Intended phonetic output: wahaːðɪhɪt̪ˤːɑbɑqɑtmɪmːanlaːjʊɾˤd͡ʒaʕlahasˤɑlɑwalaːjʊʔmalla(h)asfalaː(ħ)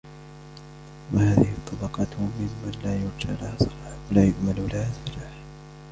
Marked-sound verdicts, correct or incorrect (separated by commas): correct, correct